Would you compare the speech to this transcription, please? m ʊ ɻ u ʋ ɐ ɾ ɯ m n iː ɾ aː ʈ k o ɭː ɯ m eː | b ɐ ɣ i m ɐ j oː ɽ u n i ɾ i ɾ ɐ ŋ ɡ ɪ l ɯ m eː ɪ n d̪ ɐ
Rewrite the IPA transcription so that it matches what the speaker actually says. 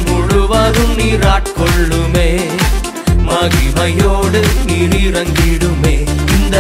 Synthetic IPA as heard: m ʊ ɻ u ʋ ɐ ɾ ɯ m n iː ɾ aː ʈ k ɔ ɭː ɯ m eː | m ɐ ɣ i m ɐ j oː ɽ ɯ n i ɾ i ɾ ɐ ŋ ɡ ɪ ɽ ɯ m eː ɪ n d̪ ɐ